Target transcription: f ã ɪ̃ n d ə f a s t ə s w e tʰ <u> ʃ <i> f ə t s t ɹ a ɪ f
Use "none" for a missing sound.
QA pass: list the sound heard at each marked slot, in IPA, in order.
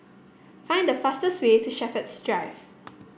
u, ɛ

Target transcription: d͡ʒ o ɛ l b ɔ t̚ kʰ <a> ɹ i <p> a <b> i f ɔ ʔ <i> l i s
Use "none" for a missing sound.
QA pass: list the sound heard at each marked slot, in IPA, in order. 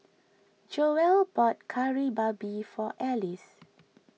a, b, b, ɛ

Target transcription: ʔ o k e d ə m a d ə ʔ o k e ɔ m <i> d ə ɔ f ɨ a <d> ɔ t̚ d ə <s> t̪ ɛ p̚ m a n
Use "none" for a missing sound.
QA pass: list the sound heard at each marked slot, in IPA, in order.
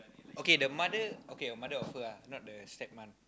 a, n, s

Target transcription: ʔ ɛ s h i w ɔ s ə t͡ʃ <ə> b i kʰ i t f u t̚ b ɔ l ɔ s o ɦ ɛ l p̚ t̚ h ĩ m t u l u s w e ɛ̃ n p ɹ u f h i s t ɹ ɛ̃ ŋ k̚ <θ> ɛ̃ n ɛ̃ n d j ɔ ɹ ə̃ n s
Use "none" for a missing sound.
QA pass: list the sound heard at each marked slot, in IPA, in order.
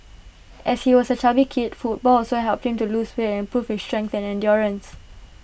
a, θ

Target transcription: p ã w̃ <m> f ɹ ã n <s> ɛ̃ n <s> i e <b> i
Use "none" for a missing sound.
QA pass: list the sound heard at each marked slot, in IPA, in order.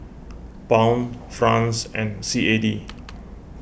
n, s, s, d

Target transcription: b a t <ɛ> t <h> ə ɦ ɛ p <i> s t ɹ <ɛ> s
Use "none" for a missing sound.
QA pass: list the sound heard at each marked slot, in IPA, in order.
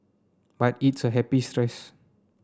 i, s, i, ɛ

